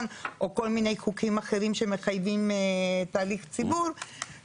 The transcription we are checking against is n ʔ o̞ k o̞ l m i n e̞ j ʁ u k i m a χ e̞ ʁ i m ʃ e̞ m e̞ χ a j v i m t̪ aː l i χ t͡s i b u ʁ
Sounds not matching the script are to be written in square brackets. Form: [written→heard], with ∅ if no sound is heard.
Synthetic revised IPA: n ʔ o̞ k o̞ l m i n e̞ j [ʁ→χ] u k i m a χ e̞ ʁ i m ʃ e̞ m e̞ χ a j v i m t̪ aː l i χ t͡s i b u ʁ